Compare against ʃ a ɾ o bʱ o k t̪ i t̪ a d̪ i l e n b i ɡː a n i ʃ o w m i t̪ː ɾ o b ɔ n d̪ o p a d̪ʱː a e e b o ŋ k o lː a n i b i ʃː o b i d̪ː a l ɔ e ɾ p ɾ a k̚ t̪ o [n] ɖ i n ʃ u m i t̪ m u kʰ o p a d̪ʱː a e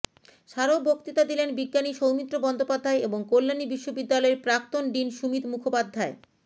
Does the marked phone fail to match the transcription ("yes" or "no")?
no